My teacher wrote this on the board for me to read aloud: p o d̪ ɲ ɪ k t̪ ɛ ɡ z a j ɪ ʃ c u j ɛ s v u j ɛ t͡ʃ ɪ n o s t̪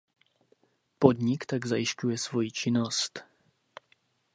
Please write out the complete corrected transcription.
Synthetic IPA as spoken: p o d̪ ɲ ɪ k t̪ a ɡ z a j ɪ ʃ c u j ɛ s v o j i t͡ʃ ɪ n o s t̪